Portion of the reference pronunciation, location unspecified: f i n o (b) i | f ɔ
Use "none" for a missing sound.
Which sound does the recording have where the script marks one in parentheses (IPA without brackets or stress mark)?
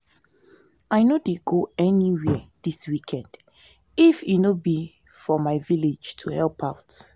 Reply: b